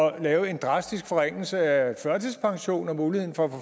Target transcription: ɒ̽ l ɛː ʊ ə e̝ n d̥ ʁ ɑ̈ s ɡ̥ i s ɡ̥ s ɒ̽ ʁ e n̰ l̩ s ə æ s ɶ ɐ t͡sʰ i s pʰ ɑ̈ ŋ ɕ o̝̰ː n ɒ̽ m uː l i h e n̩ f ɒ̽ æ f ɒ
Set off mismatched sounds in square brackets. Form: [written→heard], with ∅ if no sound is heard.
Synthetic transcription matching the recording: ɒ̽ l ɛː ʊ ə e̝ n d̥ ʁ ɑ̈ s [ɡ̥→d̥] i s ɡ̥ [s→f] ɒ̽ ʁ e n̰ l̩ s ə æ [s→f] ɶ ɐ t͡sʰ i s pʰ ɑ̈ ŋ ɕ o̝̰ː n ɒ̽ m uː l i h e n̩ f ɒ̽ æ f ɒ